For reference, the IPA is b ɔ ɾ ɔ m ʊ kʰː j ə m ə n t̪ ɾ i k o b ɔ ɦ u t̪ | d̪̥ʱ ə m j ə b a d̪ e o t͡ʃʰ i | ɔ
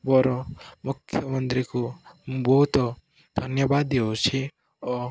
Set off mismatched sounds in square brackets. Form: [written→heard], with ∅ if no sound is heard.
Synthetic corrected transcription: b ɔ ɾ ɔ m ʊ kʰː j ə m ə n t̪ ɾ i k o b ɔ ɦ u t̪ | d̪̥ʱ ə [m→n] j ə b a d̪ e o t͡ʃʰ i | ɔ